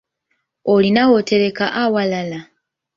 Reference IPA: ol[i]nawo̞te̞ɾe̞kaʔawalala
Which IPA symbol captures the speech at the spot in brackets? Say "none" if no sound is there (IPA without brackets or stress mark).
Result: i